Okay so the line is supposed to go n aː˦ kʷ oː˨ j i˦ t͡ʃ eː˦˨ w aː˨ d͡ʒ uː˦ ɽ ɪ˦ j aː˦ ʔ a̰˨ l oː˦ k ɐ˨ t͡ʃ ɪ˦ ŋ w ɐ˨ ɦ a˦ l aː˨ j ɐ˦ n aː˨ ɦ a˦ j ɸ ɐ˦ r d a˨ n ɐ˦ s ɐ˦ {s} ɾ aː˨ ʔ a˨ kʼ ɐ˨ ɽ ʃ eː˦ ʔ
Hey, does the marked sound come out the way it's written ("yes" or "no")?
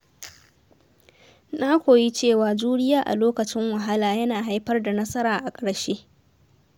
no